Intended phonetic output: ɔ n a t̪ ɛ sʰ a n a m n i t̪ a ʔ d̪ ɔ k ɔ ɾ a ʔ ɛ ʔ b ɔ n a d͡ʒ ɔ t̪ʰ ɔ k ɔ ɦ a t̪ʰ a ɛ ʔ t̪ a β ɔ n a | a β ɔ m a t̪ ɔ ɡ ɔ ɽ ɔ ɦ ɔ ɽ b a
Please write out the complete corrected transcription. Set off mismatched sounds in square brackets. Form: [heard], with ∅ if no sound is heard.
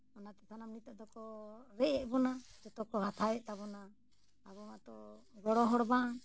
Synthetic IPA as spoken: ɔ n a t̪ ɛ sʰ a n a m n i t̪ a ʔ d̪ ɔ k ɔ ɾ [ɛ] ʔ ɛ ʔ b ɔ n a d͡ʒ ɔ [t̪] ɔ k ɔ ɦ a t̪ʰ a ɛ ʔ t̪ a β ɔ n a | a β ɔ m a t̪ ɔ ɡ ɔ ɽ ɔ ɦ ɔ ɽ b a